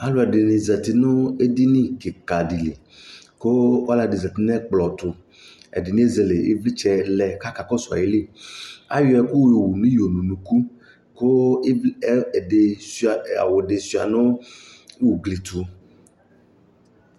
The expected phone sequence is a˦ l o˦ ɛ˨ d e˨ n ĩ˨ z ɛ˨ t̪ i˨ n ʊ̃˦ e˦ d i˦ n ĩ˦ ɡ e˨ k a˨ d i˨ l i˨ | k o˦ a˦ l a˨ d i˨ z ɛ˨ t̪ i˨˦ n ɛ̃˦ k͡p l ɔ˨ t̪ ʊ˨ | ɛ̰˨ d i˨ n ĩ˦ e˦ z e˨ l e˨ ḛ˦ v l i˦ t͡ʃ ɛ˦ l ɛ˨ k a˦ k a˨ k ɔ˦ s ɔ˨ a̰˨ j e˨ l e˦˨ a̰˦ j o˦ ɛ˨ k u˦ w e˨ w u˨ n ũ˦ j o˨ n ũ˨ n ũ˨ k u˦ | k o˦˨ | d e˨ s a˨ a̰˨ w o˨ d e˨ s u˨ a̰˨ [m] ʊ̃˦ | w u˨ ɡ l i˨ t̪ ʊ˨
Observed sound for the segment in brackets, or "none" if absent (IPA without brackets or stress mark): n